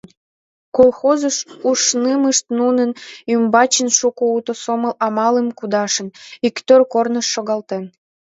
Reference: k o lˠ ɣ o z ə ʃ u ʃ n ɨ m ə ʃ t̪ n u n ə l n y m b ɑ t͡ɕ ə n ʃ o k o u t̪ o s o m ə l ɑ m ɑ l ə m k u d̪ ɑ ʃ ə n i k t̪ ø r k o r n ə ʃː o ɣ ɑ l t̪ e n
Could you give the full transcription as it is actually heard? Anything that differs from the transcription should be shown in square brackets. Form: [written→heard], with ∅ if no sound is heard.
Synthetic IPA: k o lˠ [ɣ→x] o z ə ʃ u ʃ n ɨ m ə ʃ t̪ n u n ə [l→∅] n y m b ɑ t͡ɕ ə n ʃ [o→u] k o u t̪ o s o m ə l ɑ m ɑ l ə m k u d̪ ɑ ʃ ə n i k t̪ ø r k o r n ə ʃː o ɣ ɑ l t̪ e n